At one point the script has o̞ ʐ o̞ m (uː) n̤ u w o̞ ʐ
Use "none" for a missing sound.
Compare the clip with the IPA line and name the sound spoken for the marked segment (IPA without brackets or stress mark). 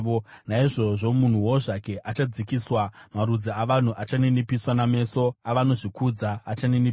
u